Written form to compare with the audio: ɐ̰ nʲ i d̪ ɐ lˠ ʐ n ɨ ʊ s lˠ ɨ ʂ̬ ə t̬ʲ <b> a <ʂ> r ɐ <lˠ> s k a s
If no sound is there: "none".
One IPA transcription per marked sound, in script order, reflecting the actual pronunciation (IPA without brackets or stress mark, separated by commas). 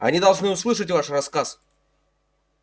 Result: v, ʂ, none